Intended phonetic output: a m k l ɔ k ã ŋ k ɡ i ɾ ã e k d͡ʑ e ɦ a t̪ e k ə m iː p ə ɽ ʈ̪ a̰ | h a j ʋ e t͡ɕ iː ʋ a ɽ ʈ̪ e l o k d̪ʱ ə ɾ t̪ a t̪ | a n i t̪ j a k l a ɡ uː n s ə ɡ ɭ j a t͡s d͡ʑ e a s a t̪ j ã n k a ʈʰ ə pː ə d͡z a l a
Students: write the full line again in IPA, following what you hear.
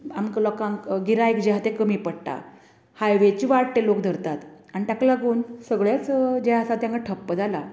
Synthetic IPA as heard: a m k l ɔ k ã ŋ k ɡ i ɾ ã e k d͡ʑ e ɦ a t̪ e k ə m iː p ə ɽ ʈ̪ a̰ | h a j ʋ e t͡ɕ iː ʋ a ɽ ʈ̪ e l o k d̪ʱ ə ɾ t̪ a t̪ | a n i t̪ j a k l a ɡ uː n s ə ɡ ɭ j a t͡s d͡ʑ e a s a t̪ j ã ŋ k a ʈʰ ə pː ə d͡z a l a